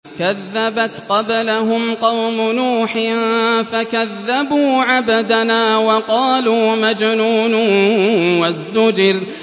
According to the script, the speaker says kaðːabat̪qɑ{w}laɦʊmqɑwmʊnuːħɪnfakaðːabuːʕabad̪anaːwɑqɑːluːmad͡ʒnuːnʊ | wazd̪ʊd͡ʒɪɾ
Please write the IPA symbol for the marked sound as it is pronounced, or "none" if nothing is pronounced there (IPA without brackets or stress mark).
b